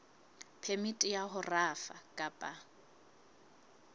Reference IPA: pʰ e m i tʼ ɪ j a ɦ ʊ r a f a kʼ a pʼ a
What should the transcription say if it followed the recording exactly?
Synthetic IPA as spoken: pʰ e m i tʼ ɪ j a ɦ ʊ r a f a kʼ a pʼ a